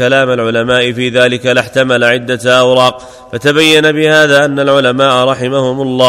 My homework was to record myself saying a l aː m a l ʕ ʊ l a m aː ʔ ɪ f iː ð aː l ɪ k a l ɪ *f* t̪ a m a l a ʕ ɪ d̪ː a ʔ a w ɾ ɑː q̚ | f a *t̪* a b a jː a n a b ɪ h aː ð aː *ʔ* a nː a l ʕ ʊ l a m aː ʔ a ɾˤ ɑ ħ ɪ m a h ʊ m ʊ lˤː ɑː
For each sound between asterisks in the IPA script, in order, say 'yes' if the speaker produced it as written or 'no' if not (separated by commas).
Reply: no, yes, yes